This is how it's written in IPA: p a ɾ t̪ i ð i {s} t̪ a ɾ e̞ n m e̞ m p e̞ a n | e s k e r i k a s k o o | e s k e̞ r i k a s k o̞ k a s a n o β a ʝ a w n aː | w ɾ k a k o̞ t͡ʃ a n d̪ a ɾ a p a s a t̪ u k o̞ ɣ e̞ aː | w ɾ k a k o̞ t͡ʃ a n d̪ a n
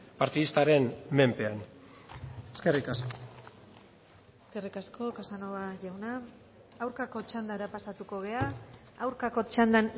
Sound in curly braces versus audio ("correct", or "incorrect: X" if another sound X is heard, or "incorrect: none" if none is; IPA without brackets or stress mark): correct